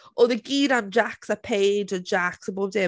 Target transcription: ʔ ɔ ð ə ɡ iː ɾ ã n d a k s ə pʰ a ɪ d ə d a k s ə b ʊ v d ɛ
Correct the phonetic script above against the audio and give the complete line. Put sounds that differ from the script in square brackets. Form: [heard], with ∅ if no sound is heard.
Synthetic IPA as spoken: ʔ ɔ ð ə ɡ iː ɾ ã n [d͡ʒ] a k s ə pʰ [e] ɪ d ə [d͡ʒ] a k s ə b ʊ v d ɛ